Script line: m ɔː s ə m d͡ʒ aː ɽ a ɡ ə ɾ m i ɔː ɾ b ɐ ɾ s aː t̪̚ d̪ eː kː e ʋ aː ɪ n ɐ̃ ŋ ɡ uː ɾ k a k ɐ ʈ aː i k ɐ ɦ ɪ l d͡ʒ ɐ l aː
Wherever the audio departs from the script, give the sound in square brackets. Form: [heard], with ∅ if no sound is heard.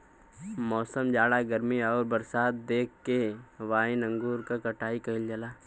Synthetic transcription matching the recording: m ɔː s ə m d͡ʒ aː ɽ a ɡ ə ɾ m i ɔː ɾ b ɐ ɾ s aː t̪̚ d̪ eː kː e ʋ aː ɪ n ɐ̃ ŋ ɡ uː ɾ k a k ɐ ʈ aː i k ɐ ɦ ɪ l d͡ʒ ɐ l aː